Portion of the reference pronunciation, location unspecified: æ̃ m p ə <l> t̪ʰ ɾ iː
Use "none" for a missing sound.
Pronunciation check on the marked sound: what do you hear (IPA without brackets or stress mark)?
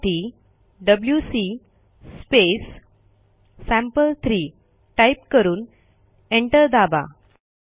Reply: l